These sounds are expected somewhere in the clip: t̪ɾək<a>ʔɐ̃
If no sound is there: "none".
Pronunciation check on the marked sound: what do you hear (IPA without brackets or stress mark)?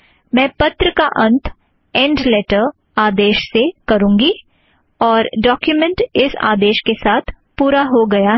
a